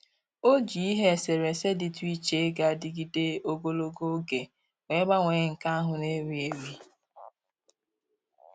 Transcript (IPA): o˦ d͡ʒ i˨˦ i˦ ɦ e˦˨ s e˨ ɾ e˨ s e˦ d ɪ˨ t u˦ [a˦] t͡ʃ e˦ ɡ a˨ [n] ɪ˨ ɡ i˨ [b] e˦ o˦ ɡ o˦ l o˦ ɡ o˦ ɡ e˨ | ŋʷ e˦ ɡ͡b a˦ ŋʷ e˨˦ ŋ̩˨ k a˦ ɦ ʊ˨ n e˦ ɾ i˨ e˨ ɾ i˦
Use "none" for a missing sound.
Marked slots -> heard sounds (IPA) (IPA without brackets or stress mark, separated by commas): i˦, d, d